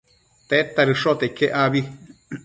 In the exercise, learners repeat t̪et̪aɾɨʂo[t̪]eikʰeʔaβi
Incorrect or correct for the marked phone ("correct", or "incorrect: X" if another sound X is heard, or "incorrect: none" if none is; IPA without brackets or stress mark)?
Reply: correct